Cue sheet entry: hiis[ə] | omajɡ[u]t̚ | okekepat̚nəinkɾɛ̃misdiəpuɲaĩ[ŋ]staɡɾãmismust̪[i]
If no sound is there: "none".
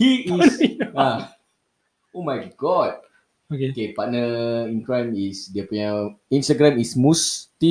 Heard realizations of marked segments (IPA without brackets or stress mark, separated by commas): a, ɔ, n, i